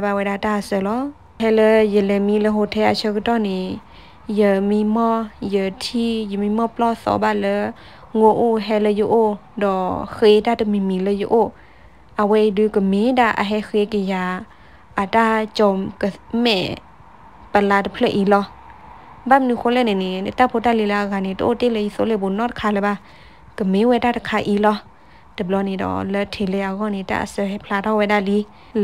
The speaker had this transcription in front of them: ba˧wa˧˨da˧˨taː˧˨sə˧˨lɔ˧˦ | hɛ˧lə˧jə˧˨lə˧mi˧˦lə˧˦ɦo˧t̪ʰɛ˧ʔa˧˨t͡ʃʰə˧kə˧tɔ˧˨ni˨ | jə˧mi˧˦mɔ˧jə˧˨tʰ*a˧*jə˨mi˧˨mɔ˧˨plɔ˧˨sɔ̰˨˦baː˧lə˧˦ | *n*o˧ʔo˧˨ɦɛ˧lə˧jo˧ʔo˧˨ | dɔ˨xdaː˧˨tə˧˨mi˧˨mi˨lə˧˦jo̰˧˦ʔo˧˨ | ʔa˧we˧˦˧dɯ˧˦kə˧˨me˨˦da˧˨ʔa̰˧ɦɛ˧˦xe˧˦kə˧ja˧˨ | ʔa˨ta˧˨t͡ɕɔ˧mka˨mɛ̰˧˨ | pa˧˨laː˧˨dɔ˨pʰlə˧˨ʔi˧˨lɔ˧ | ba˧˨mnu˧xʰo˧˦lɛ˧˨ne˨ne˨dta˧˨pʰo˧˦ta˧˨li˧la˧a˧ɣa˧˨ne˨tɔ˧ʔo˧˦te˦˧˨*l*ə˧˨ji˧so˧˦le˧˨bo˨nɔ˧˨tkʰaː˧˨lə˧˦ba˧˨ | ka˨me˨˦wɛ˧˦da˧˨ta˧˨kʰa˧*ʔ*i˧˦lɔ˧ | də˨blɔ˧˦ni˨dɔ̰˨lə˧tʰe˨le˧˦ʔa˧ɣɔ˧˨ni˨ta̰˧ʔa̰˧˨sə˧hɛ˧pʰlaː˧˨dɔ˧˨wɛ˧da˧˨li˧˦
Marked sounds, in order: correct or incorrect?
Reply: incorrect, incorrect, correct, correct

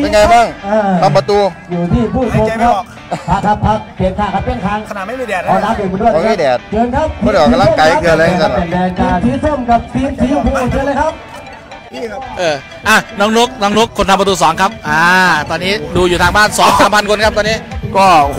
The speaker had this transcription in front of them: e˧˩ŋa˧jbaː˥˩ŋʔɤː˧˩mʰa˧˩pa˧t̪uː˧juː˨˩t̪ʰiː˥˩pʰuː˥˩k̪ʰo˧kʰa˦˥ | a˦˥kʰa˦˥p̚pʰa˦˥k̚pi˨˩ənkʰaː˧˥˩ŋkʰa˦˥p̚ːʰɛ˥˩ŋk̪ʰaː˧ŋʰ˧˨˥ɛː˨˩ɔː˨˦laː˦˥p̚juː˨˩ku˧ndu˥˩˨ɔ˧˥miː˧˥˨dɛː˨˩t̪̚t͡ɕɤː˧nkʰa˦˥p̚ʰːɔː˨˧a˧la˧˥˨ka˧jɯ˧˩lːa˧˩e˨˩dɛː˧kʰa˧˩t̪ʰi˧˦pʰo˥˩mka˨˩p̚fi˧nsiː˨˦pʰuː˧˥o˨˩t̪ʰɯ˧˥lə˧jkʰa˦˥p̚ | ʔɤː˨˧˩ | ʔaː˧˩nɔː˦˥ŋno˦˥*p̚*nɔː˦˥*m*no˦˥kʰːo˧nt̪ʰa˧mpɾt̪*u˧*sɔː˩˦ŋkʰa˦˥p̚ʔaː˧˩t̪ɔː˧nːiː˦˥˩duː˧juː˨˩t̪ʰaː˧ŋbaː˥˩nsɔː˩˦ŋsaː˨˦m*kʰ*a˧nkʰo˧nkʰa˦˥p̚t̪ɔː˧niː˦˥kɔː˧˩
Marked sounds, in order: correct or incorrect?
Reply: incorrect, incorrect, incorrect, incorrect

